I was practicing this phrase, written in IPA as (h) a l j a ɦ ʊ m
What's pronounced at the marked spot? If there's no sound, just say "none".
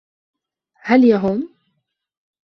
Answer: h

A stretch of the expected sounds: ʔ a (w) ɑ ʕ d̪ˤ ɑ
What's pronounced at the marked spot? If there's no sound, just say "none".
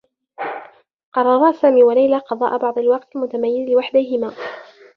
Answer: b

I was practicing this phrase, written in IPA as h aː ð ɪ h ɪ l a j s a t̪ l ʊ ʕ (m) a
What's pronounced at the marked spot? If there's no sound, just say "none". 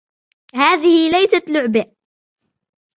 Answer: b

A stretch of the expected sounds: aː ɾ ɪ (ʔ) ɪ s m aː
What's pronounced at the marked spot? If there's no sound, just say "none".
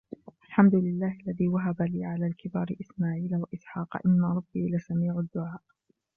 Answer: ʔ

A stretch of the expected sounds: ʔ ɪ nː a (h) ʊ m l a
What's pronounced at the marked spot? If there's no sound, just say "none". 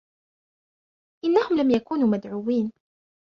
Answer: h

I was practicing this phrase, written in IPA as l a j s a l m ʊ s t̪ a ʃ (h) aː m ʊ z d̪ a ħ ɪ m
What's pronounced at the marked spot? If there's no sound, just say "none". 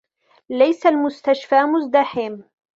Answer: f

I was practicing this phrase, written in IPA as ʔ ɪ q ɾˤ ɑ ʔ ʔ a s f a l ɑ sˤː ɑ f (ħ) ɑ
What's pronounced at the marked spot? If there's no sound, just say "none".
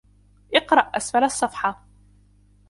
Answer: ħ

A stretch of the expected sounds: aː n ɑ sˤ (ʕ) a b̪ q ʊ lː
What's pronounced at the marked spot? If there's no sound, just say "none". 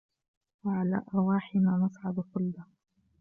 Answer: ʕ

